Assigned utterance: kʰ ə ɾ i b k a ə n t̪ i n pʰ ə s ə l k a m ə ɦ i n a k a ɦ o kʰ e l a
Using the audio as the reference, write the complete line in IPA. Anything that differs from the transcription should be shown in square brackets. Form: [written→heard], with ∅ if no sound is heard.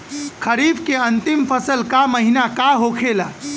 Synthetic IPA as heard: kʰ ə ɾ i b k [a→e] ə n t̪ i [n→m] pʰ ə s ə l k a m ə ɦ i n a k a ɦ o kʰ e l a